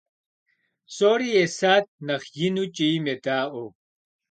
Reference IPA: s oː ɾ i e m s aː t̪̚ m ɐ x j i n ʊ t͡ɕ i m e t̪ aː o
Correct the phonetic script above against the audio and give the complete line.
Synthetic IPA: s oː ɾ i e s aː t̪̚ n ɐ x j i n u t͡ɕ i m e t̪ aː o